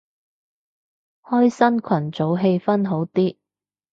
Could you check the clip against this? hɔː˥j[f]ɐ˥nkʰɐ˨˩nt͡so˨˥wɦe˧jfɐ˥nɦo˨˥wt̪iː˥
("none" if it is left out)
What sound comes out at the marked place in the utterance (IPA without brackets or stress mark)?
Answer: s